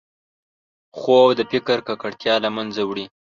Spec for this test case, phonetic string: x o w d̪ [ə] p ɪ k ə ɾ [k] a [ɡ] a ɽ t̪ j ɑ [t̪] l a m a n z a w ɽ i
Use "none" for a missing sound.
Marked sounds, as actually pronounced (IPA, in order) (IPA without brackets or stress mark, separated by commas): ə, k, k, none